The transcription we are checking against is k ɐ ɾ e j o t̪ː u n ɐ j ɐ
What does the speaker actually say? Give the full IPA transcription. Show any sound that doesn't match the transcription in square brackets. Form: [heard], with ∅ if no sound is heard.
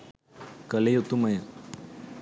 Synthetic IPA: k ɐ [l] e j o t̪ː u [m] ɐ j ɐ